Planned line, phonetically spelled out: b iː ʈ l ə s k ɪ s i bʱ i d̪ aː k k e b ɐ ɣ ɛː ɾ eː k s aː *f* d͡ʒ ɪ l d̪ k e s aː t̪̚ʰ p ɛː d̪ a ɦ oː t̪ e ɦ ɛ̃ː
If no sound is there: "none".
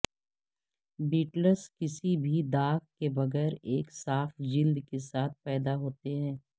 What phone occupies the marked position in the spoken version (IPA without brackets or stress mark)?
f